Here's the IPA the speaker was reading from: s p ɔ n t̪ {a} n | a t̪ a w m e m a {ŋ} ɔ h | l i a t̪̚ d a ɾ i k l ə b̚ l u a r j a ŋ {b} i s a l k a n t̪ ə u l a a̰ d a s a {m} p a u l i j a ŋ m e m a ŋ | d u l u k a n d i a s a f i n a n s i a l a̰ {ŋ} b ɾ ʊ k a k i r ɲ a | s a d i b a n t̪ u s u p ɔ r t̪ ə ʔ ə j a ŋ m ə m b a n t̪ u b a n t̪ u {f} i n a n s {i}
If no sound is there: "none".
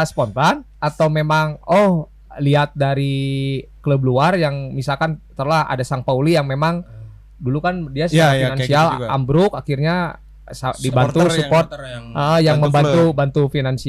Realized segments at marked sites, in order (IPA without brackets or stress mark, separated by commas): a, ŋ, m, ŋ, m, f, i